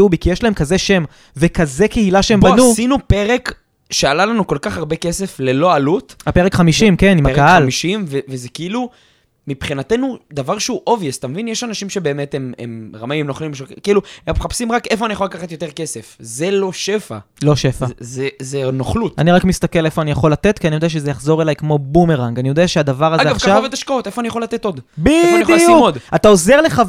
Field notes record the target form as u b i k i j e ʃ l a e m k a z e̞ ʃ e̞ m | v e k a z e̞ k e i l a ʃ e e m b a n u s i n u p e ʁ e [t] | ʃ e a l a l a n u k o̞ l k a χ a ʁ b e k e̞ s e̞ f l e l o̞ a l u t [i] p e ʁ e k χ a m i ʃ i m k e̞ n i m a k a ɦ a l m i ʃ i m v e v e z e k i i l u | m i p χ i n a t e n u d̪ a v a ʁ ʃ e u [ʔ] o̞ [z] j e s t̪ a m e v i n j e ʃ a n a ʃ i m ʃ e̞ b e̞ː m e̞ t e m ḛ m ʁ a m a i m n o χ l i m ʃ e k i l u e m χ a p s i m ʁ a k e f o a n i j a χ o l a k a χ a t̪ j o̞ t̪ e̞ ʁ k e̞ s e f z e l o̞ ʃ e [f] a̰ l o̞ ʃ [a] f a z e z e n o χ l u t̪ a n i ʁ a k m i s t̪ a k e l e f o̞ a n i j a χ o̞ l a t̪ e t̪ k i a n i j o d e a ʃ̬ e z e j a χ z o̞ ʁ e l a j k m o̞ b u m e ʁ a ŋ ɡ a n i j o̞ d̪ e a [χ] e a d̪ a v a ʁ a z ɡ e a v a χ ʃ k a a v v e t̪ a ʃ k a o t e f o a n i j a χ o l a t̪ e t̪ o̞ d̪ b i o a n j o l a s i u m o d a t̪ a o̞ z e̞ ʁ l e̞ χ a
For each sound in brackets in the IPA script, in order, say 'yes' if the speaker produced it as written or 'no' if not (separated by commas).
no, no, yes, no, yes, no, no